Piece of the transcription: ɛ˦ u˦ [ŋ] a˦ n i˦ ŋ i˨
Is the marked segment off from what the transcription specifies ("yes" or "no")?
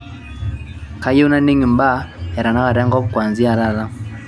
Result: yes